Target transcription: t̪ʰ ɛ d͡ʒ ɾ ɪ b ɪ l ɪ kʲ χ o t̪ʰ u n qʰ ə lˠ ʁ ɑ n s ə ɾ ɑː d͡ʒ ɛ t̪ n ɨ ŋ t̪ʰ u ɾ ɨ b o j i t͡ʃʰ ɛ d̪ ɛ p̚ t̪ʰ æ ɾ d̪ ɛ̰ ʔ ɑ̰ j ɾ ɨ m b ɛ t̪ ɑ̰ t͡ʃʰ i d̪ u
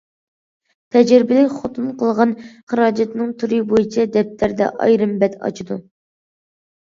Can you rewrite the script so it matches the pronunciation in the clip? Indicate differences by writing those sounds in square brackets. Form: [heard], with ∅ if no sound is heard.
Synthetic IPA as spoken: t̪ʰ ɛ d͡ʒ ɾ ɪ b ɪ l ɪ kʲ χ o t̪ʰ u n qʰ ə lˠ ʁ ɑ n [χ] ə ɾ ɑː d͡ʒ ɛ t̪ n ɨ ŋ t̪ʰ u ɾ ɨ b o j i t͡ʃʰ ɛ d̪ ɛ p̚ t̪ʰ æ ɾ d̪ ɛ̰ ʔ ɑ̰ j ɾ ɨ m b ɛ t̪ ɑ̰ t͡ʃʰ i d̪ u